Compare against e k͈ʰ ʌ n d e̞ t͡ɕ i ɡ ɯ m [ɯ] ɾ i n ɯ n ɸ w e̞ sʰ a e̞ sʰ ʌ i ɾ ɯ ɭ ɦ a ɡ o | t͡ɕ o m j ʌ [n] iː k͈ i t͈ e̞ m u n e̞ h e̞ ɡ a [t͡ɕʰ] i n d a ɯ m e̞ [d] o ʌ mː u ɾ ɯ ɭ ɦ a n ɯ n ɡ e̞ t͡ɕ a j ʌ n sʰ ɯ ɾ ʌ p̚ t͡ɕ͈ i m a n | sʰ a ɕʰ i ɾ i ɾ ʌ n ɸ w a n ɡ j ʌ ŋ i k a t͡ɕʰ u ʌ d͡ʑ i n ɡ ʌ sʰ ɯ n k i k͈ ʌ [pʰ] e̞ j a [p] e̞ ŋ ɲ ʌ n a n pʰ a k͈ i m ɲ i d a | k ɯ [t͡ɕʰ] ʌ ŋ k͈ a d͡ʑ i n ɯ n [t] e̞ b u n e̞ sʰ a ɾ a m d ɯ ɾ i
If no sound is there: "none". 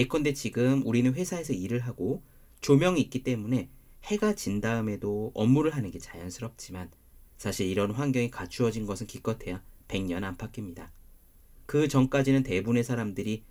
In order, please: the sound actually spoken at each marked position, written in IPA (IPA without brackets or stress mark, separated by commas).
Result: u, ŋ, t͡ɕ, d, tʰ, p, t͡ɕ, t